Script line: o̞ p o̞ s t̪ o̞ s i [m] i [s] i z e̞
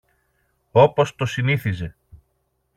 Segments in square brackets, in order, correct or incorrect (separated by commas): incorrect, incorrect